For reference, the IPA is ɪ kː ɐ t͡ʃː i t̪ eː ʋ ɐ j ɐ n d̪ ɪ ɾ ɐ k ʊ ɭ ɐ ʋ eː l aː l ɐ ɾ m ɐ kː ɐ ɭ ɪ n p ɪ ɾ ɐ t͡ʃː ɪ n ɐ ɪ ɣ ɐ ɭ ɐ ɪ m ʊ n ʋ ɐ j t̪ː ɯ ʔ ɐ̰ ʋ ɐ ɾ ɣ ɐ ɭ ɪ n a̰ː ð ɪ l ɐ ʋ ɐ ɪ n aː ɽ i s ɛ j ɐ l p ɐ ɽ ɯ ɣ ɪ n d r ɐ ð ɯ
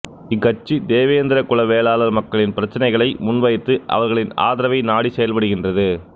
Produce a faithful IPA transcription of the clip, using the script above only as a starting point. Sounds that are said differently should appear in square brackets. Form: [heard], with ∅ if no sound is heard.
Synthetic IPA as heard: ɪ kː ɐ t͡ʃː i [d̪] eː ʋ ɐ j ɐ n d̪ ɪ ɾ ɐ k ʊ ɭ ɐ ʋ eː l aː l ɐ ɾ m ɐ kː ɐ ɭ ɪ n p ɪ ɾ ɐ t͡ʃː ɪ n ɐ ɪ ɣ ɐ ɭ ɐ ɪ m ʊ n ʋ ɐ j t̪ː ɯ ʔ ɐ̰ ʋ ɐ ɾ ɣ ɐ ɭ ɪ n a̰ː ð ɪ [ɾ] ɐ ʋ ɐ ɪ n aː ɽ i s ɛ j ɐ l p ɐ ɽ ɯ ɣ ɪ n d r ɐ ð ɯ